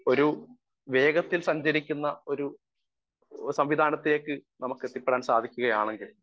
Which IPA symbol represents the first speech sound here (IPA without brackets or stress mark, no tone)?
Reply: o̞